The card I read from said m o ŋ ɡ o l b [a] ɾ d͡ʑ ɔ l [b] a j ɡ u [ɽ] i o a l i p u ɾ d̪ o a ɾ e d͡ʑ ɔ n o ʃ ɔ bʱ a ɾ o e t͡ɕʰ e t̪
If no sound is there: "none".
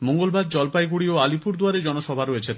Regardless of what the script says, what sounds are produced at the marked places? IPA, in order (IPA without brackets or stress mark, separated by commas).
a, p, ɽ